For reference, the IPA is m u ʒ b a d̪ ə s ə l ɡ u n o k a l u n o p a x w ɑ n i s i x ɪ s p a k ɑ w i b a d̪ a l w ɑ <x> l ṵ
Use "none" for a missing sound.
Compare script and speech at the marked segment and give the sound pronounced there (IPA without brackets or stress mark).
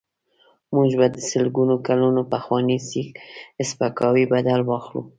x